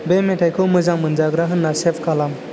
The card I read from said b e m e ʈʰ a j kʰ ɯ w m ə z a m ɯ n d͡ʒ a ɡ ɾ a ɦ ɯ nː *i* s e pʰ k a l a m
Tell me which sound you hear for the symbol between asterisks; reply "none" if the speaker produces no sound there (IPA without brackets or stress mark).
a